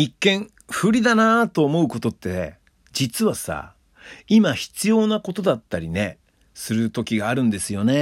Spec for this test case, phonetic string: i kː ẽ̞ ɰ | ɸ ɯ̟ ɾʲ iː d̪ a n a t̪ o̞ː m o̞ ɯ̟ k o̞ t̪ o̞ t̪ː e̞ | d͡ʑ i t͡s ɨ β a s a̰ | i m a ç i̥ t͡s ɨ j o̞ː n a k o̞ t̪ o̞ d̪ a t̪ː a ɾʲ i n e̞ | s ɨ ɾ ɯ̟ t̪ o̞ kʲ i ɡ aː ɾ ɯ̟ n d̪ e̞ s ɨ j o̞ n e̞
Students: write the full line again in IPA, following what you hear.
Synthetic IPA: i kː ẽ̞ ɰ | ɸ ɯ̟ ɾʲ i d̪ a n a t̪ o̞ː m o̞ ɯ̟ k o̞ t̪ o̞ t̪ː e̞ | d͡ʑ i t͡s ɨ β a s a̰ | i m a ç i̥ t͡s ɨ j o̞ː n a k o̞ t̪ o̞ d̪ a t̪ː a ɾʲ i n e̞ | s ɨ ɾ ɯ̟ t̪ o̞ kʲ i ɡ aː ɾ ɯ̟̃ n d̪ e̞ s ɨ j o̞ n e̞